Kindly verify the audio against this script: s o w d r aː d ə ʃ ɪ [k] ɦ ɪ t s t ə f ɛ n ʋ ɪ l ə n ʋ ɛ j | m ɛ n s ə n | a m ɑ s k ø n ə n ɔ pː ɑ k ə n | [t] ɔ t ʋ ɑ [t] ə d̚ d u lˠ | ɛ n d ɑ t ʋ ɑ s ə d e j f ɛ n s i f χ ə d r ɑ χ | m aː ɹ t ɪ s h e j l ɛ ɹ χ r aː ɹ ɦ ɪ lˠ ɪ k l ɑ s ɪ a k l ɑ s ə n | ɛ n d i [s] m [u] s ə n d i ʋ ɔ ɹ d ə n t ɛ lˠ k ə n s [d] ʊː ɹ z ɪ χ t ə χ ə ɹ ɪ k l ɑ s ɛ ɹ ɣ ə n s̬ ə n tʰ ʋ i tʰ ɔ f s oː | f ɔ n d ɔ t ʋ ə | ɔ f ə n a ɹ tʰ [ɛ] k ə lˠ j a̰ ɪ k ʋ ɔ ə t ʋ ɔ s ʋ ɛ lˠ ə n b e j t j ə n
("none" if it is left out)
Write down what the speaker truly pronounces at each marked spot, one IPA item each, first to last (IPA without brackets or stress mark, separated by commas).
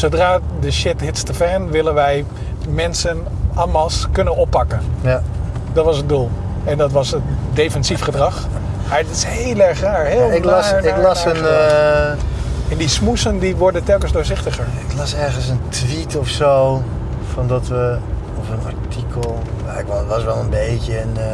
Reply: t, d, s, s, u, d, i